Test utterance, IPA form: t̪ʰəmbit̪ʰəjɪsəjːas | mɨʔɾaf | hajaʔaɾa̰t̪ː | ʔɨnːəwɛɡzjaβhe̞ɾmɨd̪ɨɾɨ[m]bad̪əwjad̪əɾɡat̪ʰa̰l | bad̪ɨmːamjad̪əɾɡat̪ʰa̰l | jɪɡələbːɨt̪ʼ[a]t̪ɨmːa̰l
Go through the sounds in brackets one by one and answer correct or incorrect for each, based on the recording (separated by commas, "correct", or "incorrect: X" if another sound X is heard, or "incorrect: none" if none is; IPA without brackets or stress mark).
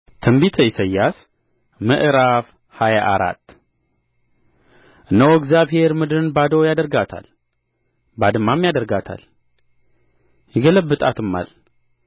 incorrect: n, correct